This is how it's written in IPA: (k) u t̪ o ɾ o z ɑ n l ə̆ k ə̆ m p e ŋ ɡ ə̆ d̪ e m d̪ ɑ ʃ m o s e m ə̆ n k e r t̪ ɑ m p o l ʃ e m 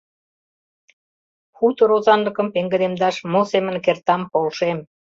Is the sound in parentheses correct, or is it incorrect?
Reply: incorrect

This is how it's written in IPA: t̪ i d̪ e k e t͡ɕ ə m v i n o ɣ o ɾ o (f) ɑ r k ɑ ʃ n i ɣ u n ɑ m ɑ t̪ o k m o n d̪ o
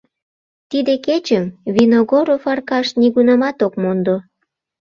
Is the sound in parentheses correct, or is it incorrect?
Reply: correct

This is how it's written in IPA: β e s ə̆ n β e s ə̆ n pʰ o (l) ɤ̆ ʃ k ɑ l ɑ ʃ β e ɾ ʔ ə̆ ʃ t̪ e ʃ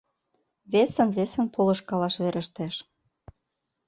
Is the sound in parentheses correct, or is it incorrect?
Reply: correct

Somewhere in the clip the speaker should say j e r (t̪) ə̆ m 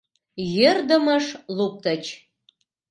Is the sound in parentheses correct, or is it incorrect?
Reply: incorrect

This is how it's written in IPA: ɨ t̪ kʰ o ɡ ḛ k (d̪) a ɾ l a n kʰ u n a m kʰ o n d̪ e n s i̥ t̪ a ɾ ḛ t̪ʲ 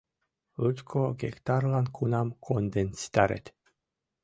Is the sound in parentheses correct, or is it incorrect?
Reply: incorrect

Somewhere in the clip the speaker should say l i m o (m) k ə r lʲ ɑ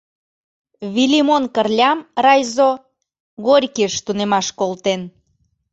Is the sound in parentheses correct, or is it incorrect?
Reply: incorrect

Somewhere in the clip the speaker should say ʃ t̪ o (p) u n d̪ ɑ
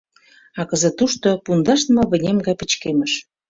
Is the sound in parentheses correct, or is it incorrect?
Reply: correct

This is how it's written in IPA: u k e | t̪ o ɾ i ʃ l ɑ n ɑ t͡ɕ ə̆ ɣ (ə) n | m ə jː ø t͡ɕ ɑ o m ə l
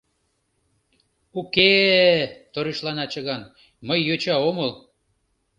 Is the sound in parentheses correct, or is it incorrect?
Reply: incorrect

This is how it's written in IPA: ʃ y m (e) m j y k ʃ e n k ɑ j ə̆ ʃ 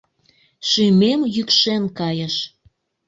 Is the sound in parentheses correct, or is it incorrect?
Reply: correct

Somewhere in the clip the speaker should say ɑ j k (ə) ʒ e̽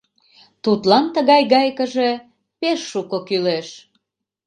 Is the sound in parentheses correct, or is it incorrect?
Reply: correct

